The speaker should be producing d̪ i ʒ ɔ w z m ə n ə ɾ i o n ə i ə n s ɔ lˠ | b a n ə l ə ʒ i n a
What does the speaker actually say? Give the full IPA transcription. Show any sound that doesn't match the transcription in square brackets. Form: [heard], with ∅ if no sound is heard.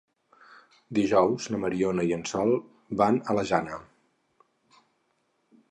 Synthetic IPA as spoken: d̪ i ʒ ɔ w z [n] ə [m] ə ɾ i o n ə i ə n s ɔ lˠ | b a n ə l ə ʒ [a] n [ə]